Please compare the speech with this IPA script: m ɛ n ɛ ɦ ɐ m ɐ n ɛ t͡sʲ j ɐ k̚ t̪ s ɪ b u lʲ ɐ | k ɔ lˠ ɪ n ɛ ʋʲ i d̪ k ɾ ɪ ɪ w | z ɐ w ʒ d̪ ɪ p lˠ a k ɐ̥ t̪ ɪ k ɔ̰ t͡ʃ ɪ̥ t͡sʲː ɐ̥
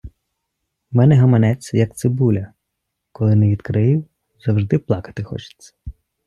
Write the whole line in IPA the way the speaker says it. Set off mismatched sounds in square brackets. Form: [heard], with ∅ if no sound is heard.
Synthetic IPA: m ɛ n ɛ ɦ ɐ m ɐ n ɛ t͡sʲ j ɐ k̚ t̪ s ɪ b u lʲ ɐ | k ɔ lˠ ɪ n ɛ ʋʲ i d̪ k ɾ ɪ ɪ w | z ɐ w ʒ d̪ ɪ p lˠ [ɑ] k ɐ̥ t̪ ɪ [x] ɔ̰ t͡ʃ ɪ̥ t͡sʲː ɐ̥